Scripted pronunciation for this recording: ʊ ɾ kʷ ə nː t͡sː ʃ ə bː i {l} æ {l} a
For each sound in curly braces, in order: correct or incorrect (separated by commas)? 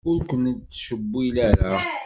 correct, incorrect